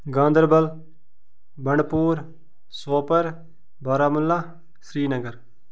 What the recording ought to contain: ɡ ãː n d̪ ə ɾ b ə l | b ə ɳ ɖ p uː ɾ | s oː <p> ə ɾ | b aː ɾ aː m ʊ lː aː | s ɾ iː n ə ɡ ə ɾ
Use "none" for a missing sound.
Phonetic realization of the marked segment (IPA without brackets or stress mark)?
p